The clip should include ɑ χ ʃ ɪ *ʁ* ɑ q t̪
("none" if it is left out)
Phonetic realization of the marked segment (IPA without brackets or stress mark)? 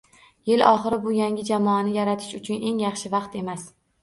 v